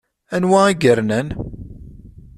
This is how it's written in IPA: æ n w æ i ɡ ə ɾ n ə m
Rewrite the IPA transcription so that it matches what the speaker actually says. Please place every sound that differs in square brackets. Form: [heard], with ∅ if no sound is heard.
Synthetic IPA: æ n w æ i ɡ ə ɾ n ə [n]